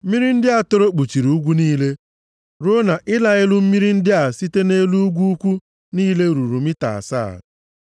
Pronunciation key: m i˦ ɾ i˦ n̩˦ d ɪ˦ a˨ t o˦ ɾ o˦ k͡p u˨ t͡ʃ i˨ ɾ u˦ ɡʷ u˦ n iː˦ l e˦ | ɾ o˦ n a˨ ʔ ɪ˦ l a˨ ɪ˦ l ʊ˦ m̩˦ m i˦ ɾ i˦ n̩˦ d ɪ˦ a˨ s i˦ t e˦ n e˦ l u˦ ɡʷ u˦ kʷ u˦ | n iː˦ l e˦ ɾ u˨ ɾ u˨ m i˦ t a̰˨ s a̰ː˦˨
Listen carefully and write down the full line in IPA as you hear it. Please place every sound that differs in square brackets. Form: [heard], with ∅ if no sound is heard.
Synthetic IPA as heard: m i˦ ɾ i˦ n̩˦ d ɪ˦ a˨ t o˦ ɾ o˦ k͡p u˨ t͡ʃ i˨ ɾ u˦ ɡʷ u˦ n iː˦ l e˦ | ɾ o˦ n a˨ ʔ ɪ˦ l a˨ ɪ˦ l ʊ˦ m̩˦ m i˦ ɾ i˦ n̩˦ d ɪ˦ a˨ s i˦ t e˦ n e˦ l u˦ ɡʷ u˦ kʷ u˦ | n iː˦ l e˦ ɾ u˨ ɾ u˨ m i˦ t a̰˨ s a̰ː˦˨